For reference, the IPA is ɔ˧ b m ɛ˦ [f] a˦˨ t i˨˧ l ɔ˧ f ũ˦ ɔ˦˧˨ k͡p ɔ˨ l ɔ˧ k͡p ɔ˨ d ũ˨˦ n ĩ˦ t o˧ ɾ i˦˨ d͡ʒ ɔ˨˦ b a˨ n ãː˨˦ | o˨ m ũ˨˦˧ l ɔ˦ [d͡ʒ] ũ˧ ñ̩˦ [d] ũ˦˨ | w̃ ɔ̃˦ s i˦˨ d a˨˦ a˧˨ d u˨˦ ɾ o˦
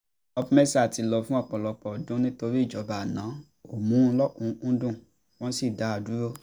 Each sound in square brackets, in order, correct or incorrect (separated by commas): incorrect, incorrect, correct